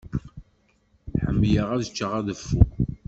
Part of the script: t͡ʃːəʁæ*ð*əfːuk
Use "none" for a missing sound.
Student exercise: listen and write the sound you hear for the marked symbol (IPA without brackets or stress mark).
ð